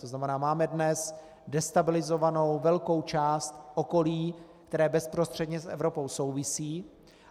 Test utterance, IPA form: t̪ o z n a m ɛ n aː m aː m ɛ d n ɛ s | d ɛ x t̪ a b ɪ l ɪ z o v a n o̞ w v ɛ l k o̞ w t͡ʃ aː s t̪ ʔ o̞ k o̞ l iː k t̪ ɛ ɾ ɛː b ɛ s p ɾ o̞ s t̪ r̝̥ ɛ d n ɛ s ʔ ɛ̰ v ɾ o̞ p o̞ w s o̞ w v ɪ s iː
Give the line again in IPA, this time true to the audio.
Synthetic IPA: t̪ o z n a m ɛ n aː m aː m ɛ d n ɛ s | d ɛ s t̪ a b ɪ l ɪ z o v a n o̞ w v ɛ l k o̞ w t͡ʃ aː s t̪ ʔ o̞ k o̞ l iː k t̪ ɛ ɾ ɛː b ɛ s p ɾ o̞ s t̪ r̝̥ ɛ d ɲ ɛ s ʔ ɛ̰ v ɾ o̞ p o̞ w s o̞ w v ɪ s iː